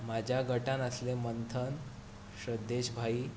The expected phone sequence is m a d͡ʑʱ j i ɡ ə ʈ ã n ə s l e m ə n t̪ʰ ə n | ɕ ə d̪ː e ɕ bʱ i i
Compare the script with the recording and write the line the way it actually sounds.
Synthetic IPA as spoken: m a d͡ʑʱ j a ɡ ə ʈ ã n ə s l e m ə n t̪ʰ ə n | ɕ ə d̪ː e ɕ bʱ a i